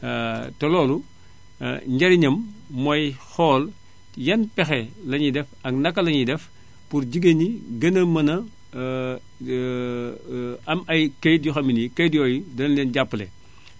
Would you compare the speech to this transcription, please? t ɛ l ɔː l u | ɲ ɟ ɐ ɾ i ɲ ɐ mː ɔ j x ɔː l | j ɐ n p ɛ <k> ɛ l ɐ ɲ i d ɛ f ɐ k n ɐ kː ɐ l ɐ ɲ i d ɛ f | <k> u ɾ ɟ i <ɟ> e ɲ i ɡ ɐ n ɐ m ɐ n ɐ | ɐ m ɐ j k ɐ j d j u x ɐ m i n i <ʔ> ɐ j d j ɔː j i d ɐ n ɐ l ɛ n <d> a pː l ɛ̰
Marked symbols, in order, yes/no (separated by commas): no, no, no, no, no